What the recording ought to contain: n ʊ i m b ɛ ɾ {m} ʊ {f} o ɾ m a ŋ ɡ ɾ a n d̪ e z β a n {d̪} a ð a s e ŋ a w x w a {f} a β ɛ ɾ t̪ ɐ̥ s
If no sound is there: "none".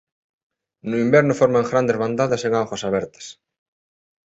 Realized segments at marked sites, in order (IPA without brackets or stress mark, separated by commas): n, f, d̪, s